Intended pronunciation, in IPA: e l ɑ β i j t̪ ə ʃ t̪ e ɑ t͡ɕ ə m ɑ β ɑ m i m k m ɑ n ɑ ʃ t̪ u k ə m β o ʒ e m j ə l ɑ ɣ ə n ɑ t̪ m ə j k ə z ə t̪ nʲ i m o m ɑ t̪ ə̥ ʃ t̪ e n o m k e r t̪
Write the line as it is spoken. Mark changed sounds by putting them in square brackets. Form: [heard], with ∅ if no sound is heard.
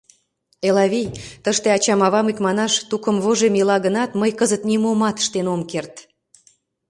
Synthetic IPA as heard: e l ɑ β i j t̪ ə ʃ t̪ e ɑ t͡ɕ [ɑ] m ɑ β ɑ m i [∅] k m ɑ n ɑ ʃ t̪ u k ə m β o ʒ e m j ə l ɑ ɣ ə n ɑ t̪ m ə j k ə z ə t̪ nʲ i m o m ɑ t̪ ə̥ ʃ t̪ e n o m k e r t̪